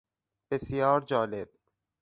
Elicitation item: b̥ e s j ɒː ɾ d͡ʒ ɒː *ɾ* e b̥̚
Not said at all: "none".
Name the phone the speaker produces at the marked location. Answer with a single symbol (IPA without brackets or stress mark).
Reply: l